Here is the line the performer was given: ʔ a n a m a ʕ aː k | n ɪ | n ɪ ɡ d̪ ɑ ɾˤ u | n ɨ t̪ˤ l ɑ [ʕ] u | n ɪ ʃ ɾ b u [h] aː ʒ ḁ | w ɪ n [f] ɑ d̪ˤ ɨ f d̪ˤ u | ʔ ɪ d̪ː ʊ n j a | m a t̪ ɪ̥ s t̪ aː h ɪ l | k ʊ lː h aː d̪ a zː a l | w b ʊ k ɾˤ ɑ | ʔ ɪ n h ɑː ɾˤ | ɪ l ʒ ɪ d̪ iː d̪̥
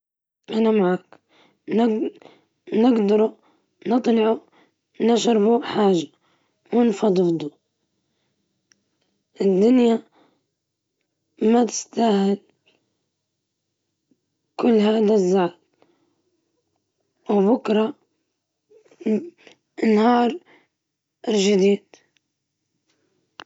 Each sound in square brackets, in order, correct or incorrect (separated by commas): correct, incorrect, correct